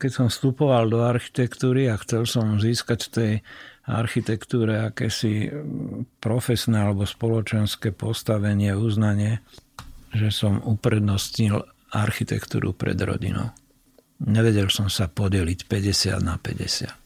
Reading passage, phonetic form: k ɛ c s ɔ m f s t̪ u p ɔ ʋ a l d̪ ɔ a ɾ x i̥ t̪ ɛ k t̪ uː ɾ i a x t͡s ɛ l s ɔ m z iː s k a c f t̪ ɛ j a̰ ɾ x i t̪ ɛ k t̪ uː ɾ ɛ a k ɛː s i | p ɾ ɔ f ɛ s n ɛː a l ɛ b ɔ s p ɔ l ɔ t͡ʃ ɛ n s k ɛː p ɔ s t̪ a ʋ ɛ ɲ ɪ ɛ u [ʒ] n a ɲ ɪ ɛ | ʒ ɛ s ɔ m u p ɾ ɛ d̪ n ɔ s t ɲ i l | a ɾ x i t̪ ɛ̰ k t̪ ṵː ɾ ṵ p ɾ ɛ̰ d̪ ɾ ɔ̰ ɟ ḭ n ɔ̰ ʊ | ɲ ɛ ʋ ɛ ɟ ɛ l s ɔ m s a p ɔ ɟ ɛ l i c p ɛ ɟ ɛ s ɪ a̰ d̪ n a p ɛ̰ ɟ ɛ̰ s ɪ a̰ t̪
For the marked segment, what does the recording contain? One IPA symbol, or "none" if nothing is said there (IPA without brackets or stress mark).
z